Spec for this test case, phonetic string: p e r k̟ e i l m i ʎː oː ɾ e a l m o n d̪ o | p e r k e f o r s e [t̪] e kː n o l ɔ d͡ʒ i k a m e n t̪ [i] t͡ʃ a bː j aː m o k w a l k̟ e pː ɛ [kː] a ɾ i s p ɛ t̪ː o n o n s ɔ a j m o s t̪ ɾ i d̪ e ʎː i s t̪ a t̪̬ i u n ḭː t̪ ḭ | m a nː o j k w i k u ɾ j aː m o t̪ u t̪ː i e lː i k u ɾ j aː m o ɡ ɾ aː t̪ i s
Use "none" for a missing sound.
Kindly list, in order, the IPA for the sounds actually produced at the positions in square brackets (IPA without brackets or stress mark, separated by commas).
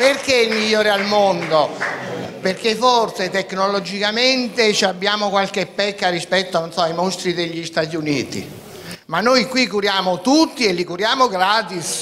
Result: t̪, e, kː